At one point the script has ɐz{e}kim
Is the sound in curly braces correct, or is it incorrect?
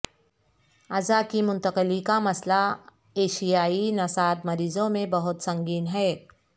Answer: incorrect